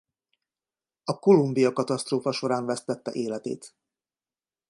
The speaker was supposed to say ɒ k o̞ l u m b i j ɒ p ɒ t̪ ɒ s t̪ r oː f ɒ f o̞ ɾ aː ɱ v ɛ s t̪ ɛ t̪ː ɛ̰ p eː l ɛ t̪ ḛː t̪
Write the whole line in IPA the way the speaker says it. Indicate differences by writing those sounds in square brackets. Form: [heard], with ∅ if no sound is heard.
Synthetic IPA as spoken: ɒ k o̞ l u m b i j ɒ [k] ɒ t̪ ɒ s t̪ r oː f ɒ [ʃ] o̞ ɾ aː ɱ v ɛ s t̪ ɛ t̪ː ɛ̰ [ʔ] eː l ɛ t̪ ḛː t̪